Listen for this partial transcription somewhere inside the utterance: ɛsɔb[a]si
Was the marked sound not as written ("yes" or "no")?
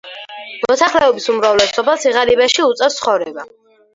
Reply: no